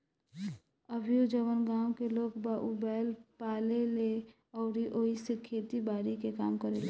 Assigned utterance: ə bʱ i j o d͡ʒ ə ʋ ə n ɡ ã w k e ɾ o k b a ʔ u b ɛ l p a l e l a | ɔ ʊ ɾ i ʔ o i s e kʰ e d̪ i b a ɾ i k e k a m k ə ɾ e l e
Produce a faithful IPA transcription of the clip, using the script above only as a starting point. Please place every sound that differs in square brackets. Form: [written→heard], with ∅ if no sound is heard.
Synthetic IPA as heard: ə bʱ i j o d͡ʒ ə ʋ ə n ɡ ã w k e [ɾ→l] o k b a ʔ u b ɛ l p a l e l [a→e] | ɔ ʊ ɾ i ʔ o i s e kʰ e [d̪→t̪] i b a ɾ i k e k a m k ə ɾ e l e